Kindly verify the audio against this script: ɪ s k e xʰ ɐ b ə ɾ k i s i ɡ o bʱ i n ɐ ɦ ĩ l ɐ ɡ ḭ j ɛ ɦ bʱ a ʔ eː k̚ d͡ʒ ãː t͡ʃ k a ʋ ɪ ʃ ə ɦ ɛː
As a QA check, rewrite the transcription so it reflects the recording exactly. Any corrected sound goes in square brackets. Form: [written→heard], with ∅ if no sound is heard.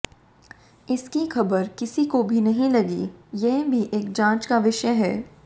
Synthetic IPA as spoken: ɪ s k [e→i] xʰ ɐ b ə ɾ k [i→ɪ] s i [ɡ→k] o bʱ i n ɐ ɦ ĩ l ɐ ɡ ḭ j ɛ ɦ bʱ [a→i] ʔ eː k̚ d͡ʒ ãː t͡ʃ k a ʋ ɪ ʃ ə ɦ ɛː